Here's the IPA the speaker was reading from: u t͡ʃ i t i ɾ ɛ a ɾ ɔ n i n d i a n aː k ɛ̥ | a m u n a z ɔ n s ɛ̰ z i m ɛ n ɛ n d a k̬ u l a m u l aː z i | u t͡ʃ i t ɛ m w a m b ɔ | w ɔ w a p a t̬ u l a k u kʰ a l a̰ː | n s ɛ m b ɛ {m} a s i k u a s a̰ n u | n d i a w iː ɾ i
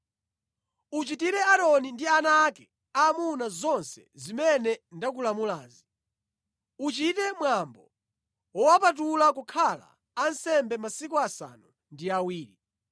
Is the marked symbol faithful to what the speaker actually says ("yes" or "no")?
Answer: yes